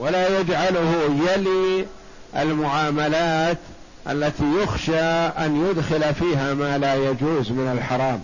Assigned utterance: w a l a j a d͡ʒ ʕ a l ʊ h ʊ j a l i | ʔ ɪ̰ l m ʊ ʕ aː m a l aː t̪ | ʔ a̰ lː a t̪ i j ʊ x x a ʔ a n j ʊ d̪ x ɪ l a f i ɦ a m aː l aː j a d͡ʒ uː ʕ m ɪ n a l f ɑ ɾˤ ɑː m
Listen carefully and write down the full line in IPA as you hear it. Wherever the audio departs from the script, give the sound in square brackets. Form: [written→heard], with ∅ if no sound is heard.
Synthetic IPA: w a l a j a d͡ʒ ʕ a l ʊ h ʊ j a l i | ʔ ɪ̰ l m ʊ ʕ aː m a l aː t̪ | ʔ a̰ lː a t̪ i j ʊ x [x→ʃ] a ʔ a n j ʊ d̪ x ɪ l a f [i→iː] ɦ a m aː l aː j a d͡ʒ uː [ʕ→z] m ɪ n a l [f→ħ] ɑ ɾˤ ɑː m